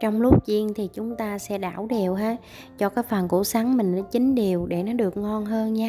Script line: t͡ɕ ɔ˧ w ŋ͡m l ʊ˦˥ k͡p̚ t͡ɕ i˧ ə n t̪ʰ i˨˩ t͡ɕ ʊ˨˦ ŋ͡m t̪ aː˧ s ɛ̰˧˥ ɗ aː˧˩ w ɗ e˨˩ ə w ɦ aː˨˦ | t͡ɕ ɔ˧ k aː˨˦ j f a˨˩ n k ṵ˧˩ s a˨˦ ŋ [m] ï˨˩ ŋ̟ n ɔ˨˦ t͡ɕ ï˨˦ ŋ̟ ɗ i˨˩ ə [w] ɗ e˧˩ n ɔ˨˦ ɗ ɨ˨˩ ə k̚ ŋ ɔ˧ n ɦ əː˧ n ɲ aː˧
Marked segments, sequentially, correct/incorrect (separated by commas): correct, correct